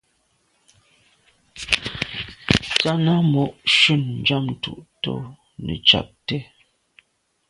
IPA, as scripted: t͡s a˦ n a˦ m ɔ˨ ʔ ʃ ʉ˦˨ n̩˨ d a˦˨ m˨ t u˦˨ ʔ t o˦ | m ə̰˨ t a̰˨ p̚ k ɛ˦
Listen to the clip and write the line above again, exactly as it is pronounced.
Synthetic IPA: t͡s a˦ n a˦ m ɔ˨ ʔ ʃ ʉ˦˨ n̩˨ d͡ʒ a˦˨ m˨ t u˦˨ ʔ t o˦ | n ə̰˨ t͡ʃ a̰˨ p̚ t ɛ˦